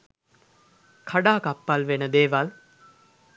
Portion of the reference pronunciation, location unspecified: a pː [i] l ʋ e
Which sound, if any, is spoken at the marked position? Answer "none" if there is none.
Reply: a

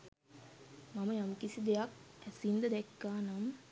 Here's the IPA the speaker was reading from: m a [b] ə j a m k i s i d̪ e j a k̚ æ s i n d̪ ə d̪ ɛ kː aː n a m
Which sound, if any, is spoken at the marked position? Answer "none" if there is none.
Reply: m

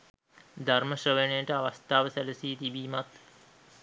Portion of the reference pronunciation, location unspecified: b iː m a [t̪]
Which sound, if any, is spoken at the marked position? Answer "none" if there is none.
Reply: t̪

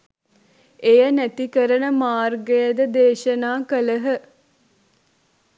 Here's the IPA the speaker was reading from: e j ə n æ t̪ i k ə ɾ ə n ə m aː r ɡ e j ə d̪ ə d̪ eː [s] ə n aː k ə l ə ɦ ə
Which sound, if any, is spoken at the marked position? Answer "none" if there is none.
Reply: ʃ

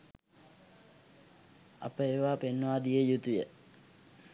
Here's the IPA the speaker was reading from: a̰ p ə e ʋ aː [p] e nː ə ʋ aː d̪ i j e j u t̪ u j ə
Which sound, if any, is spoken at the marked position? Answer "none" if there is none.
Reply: p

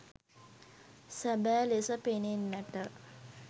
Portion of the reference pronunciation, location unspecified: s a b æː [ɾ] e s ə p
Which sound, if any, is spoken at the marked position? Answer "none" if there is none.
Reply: l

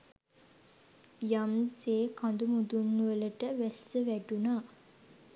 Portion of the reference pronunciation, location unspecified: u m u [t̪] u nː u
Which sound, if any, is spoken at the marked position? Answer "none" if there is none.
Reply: d̪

